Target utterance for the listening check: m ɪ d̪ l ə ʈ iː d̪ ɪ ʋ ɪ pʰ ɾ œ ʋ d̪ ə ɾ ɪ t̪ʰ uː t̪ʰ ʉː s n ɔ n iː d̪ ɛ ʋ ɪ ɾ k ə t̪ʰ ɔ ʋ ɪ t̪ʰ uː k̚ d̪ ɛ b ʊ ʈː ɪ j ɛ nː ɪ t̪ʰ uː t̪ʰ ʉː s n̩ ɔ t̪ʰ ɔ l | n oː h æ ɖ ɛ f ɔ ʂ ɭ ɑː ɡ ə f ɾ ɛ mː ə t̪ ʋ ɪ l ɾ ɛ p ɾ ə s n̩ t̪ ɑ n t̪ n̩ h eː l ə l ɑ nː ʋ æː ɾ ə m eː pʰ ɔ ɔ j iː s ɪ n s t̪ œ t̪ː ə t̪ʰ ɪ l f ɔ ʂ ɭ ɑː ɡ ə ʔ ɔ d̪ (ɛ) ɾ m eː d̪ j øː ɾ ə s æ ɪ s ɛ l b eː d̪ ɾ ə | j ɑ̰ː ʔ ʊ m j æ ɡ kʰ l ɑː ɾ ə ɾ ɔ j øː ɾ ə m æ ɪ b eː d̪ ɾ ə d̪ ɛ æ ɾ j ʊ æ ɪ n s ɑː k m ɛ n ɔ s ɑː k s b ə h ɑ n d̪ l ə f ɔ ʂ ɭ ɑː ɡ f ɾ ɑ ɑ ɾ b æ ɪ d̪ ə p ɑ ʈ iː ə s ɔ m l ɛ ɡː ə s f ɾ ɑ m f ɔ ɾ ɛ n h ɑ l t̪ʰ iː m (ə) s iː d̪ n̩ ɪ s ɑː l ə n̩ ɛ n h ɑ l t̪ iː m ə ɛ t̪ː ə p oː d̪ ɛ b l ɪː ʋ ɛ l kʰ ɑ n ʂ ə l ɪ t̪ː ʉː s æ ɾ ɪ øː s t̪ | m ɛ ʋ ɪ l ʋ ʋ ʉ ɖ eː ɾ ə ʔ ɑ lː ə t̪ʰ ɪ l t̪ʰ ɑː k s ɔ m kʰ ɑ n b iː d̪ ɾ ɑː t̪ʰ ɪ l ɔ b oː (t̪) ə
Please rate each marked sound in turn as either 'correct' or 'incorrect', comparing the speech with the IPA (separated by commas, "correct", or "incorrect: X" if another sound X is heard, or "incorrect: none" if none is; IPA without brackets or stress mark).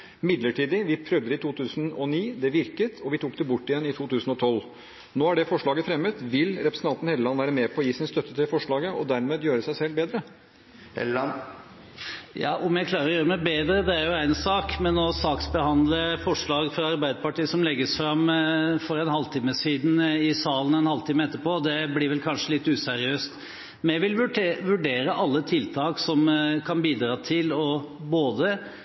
incorrect: æ, correct, incorrect: d̪